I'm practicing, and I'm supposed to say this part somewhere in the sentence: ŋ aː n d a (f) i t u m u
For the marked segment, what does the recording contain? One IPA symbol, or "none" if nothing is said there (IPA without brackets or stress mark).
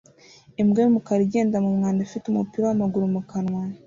f